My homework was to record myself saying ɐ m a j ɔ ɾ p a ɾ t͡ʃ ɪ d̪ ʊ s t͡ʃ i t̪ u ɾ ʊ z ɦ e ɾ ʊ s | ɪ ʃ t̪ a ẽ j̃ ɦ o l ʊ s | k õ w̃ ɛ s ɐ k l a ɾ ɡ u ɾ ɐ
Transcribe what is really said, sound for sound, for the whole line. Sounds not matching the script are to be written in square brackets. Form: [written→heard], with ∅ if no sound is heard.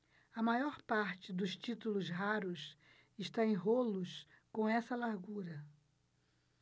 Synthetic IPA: ɐ m a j ɔ ɾ p a ɾ t͡ʃ ɪ d̪ ʊ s t͡ʃ i t̪ u [ɾ→l] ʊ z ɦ [e→a] ɾ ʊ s | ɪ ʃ t̪ a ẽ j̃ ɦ o l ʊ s | k õ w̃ ɛ s ɐ [k→∅] l a ɾ ɡ u ɾ ɐ